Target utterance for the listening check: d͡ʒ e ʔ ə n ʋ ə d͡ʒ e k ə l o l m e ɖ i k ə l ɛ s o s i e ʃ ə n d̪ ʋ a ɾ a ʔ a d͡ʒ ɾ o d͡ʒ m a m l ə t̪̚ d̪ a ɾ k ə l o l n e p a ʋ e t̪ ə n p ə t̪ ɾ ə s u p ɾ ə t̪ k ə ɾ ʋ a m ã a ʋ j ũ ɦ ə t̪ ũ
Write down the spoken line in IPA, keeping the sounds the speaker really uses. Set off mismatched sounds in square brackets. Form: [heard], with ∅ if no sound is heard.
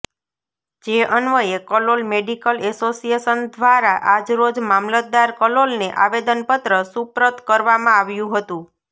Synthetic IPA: d͡ʒ e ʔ ə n ʋ ə [∅] e k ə l o l m e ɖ i k ə l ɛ s o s i e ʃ ə n d̪ ʋ a ɾ a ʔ a d͡ʒ ɾ o d͡ʒ m a m l ə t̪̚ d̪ a ɾ k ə l o l n e [ʔ] a ʋ e [d̪] ə n p ə t̪ ɾ ə s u p ɾ ə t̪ k ə ɾ ʋ a m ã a ʋ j ũ ɦ ə t̪ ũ